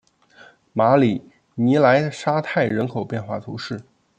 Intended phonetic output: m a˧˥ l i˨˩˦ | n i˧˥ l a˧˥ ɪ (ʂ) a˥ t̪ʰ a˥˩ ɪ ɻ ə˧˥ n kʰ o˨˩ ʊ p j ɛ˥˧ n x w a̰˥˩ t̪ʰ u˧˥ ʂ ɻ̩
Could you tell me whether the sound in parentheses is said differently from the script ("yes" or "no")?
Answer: no